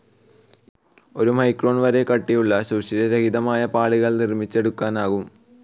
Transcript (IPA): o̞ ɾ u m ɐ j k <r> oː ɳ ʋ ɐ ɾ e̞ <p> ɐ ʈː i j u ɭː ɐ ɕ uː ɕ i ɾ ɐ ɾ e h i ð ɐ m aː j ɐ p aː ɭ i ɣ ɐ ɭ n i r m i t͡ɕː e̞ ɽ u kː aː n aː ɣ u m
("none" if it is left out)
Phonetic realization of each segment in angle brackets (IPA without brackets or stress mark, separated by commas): r, k